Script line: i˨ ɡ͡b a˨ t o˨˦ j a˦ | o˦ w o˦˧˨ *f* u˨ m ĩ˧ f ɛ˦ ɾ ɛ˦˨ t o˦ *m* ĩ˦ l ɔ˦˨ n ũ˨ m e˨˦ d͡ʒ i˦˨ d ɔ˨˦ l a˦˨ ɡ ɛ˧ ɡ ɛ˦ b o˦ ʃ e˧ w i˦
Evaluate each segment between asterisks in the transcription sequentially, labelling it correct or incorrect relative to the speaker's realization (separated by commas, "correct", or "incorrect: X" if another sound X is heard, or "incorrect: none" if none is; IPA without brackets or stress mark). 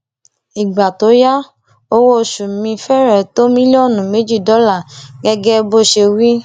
incorrect: ʃ, correct